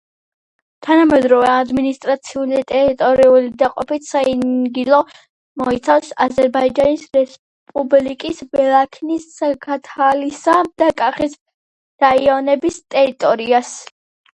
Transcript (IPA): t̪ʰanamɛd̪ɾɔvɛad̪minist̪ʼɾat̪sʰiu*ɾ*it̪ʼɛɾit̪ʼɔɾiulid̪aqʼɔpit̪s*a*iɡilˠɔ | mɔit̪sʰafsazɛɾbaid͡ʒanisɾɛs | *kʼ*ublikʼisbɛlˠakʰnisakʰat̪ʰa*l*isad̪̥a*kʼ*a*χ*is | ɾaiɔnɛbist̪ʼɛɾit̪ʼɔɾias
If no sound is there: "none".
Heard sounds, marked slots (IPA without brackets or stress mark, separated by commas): l, a, pʼ, l, kʼ, χ